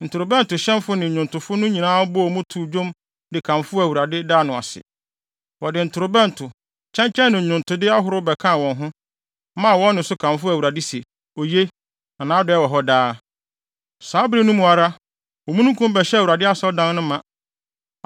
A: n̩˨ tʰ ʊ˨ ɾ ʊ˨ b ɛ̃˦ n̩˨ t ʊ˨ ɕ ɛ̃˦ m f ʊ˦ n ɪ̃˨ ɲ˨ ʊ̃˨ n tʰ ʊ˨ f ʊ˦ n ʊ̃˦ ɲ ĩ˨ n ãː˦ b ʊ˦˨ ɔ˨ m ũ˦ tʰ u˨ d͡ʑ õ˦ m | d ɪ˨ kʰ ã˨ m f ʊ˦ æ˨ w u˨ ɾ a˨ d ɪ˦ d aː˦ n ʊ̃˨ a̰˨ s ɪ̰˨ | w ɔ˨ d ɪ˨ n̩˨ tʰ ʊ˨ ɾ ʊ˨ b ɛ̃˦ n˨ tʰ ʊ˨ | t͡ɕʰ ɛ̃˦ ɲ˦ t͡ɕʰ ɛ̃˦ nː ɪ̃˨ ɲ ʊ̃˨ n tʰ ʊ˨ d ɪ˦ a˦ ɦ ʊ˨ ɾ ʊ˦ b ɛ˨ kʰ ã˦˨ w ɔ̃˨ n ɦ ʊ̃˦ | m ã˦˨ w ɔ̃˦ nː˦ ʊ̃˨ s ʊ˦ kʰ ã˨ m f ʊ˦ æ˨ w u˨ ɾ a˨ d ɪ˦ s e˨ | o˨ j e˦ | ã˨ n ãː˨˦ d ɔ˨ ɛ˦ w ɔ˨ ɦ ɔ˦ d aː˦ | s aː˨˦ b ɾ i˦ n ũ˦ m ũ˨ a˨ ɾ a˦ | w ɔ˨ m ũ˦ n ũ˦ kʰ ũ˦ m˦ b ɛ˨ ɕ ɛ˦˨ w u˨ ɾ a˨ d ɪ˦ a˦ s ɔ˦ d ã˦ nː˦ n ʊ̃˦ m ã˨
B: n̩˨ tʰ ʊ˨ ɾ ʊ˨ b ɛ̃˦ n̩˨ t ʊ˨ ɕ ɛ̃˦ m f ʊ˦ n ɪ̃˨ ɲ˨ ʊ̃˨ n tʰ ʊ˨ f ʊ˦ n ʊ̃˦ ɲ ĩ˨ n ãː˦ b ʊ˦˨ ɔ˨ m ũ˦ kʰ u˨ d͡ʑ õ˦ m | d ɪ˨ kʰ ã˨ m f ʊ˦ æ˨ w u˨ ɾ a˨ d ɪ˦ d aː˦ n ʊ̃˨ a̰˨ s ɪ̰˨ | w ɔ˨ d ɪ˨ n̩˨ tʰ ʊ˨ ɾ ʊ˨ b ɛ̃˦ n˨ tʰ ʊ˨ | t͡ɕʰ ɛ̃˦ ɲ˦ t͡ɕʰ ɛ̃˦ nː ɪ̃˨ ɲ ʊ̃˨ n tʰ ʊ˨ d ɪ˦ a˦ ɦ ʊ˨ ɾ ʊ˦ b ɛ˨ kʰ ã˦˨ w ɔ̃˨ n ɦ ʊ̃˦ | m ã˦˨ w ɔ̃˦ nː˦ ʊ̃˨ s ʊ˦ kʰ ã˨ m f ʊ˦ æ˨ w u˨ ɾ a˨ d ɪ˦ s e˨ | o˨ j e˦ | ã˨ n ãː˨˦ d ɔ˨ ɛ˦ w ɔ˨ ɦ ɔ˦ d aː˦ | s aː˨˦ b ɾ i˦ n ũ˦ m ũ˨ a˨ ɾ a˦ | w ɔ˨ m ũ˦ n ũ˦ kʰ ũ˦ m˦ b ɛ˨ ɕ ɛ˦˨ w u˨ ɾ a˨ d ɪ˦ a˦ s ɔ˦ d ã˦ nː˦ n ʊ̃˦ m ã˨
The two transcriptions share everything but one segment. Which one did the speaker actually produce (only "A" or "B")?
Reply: A